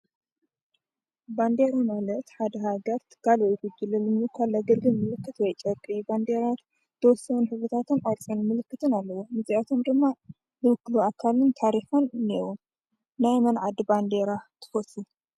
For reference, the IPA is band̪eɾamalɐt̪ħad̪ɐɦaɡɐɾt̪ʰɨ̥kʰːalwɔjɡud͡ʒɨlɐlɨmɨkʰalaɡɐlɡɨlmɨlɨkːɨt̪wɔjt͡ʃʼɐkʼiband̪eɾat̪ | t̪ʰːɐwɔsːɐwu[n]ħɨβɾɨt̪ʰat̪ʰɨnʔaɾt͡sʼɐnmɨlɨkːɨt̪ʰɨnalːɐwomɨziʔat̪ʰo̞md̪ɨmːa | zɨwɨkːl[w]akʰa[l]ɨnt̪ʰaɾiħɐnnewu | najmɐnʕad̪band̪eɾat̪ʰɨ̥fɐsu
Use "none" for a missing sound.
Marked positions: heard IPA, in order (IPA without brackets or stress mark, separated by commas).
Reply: n, u, l